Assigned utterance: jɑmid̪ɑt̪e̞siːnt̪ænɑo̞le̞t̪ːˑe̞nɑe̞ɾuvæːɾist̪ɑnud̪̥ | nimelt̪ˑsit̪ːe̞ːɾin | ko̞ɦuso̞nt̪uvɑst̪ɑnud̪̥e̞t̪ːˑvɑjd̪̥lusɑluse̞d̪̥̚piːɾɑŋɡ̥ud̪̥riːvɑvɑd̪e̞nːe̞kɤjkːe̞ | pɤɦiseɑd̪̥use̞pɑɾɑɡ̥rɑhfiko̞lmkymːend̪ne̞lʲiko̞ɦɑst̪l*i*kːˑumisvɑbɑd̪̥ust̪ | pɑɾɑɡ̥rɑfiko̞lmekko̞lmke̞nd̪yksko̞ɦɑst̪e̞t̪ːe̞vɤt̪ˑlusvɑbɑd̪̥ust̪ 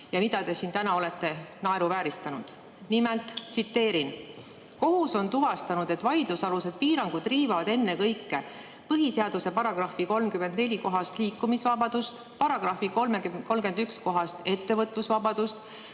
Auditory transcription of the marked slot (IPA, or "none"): iː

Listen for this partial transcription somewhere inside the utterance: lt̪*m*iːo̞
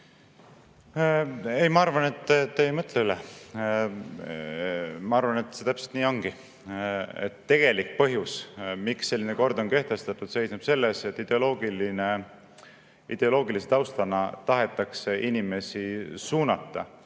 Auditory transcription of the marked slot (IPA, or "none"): n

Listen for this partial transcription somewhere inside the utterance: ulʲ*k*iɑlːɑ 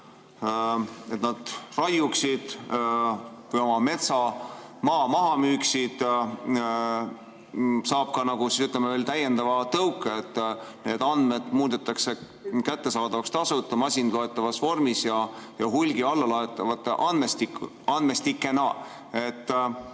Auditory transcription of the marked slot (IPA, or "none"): ɡ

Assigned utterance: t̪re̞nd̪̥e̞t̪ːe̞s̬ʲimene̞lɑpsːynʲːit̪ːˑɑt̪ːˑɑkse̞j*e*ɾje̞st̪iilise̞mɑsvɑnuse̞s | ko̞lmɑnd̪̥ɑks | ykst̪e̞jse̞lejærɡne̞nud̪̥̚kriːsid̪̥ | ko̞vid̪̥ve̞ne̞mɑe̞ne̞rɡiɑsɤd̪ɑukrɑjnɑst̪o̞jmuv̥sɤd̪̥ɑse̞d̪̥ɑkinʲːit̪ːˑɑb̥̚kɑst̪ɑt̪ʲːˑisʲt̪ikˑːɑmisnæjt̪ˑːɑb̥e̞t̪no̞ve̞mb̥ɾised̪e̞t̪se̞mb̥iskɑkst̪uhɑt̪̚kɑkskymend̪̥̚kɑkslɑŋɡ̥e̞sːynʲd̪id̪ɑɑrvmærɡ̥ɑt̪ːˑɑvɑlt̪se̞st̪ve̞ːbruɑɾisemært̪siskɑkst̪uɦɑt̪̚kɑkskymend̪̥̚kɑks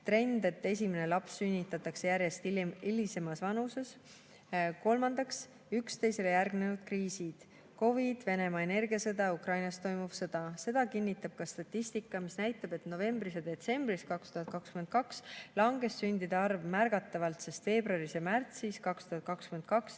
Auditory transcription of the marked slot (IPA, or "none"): æ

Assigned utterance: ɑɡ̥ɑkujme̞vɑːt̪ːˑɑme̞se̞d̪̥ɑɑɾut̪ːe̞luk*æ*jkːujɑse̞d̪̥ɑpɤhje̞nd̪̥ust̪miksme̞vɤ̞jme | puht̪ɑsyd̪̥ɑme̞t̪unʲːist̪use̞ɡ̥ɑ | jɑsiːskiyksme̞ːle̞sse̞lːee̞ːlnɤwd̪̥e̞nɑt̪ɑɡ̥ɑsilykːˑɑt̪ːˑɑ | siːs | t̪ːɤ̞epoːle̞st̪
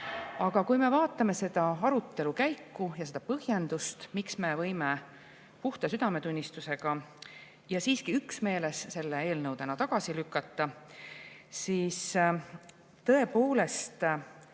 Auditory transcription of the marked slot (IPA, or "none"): æ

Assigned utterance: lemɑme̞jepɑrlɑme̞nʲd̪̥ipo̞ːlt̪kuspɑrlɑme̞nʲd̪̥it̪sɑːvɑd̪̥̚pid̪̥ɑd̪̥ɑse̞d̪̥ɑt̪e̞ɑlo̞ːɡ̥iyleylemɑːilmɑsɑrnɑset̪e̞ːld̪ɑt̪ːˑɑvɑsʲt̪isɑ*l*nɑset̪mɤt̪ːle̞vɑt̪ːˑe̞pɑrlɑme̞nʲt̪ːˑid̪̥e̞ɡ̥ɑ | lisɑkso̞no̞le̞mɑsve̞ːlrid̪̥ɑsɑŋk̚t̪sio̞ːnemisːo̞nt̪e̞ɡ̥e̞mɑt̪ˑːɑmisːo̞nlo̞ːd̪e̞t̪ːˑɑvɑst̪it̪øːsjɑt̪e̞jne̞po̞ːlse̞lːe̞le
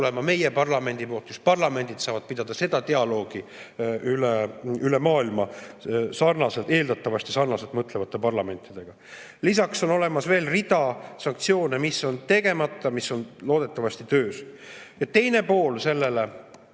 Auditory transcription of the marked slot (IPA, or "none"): r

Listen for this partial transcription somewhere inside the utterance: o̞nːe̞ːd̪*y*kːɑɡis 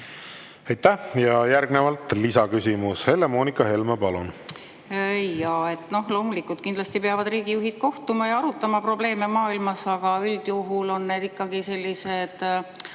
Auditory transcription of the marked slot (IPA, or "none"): i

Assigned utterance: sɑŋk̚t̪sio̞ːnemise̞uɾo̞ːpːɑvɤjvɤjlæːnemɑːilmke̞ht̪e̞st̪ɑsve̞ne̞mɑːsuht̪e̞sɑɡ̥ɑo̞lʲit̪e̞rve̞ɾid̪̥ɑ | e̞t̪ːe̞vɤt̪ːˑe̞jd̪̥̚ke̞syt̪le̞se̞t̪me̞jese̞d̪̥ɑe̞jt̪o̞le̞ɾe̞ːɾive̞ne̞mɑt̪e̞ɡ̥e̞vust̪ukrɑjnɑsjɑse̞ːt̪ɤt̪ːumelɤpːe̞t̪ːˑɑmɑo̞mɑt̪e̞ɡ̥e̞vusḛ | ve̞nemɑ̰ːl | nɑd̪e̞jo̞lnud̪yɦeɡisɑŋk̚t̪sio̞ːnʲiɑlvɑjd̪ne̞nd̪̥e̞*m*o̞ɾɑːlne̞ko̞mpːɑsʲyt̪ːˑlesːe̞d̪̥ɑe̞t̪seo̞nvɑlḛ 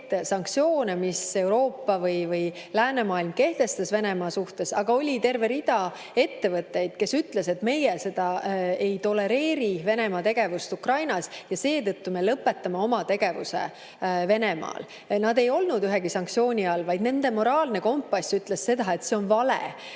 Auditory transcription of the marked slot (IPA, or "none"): m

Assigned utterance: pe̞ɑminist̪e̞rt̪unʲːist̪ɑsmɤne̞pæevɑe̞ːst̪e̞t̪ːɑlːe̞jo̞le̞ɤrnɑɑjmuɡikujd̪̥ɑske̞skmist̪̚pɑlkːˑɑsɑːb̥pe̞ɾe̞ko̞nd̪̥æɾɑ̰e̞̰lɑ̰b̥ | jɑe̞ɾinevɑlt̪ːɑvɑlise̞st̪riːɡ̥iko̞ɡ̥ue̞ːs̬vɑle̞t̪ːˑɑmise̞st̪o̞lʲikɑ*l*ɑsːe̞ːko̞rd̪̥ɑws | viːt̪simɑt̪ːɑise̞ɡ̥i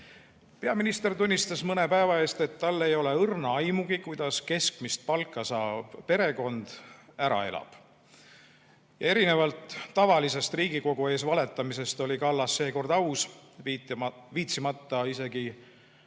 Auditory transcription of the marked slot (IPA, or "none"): lː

